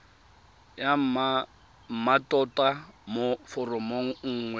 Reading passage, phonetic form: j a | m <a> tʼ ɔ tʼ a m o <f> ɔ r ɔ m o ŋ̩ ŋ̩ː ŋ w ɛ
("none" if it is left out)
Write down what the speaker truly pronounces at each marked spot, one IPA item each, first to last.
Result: a, f

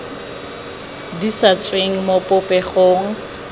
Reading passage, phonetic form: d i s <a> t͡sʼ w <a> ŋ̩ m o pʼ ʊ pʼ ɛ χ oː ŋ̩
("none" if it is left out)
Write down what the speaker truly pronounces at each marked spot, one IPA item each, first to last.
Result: a, e

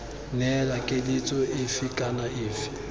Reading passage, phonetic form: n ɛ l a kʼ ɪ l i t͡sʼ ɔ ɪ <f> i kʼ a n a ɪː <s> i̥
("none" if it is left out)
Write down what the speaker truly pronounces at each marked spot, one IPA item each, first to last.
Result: f, f

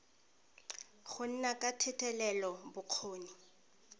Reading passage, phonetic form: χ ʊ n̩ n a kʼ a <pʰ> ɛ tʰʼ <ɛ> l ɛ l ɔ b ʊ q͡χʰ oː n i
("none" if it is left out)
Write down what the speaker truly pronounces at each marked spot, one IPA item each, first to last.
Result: tʰ, ɛ

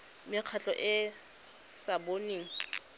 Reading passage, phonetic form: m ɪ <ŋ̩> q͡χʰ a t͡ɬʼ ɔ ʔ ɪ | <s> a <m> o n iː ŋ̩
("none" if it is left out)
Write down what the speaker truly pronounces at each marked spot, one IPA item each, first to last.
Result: none, s, b

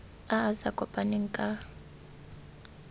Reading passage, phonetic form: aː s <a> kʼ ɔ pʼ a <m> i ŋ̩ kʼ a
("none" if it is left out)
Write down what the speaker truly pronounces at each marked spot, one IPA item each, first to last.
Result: a, n

